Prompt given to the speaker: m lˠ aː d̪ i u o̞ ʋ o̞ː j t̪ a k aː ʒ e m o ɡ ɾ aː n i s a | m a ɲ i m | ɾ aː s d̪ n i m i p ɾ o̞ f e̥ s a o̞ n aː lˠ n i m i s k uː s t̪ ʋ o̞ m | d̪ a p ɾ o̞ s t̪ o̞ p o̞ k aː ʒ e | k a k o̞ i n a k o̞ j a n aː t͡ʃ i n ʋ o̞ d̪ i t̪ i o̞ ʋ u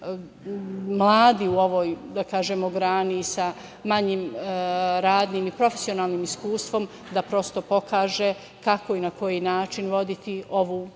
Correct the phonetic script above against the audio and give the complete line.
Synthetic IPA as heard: m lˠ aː d̪ i u o̞ ʋ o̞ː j d̪ a k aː ʒ e m o ɡ ɾ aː n i s a | m a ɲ i m | ɾ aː d̪ n i m i p ɾ o̞ f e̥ s i o̞ n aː lˠ n i m i s k uː s t̪ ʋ o̞ m | d̪ a p ɾ o̞ s t̪ o̞ p o̞ k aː ʒ e | k a k o̞ i n a k o̞ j i n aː t͡ʃ i n ʋ o̞ d̪ i t̪ i o̞ ʋ u